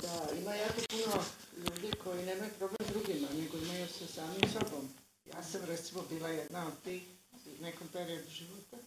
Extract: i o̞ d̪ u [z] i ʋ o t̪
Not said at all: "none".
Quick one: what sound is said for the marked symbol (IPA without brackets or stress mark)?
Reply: ʒ